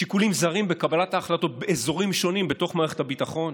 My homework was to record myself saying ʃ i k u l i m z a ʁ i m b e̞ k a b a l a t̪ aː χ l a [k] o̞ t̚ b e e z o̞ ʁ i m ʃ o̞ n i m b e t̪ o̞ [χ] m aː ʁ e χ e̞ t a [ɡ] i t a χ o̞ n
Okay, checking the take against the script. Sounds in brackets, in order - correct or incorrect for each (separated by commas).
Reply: incorrect, correct, incorrect